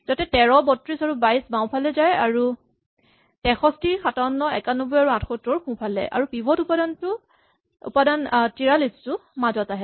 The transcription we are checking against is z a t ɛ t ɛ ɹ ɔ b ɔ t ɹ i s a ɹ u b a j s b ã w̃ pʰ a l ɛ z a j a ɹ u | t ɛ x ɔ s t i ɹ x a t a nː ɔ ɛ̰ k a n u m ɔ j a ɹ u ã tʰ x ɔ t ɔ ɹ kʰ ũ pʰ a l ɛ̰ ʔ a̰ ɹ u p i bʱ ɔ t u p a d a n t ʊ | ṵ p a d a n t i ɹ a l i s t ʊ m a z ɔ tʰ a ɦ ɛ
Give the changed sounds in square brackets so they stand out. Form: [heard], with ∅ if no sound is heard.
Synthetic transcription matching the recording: z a t ɛ t ɛ ɹ ɔ b ɔ t ɹ i s a ɹ u b a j s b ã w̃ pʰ a l ɛ z a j a ɹ u | t ɛ x ɔ s t i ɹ x a t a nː ɔ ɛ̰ k a n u [b] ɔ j a ɹ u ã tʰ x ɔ t ɔ ɹ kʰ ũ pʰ a l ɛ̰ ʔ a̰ ɹ u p i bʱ ɔ t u p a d a n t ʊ | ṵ p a d a n t i ɹ a l i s t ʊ m a z ɔ [t] a ɦ ɛ